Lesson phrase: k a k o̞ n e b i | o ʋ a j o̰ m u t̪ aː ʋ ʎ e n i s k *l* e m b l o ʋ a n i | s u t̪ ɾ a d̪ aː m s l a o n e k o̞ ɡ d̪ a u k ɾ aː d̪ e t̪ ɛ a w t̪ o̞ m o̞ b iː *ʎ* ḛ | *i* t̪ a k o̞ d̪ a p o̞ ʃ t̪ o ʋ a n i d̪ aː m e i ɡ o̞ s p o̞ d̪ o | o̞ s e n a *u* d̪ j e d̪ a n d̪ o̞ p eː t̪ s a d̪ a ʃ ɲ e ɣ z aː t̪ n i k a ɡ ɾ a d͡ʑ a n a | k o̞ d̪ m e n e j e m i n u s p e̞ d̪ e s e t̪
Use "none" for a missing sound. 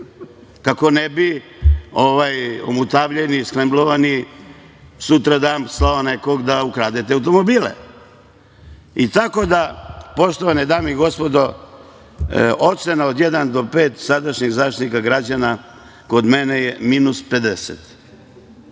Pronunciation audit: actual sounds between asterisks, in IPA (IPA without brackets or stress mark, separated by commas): l, l, i, o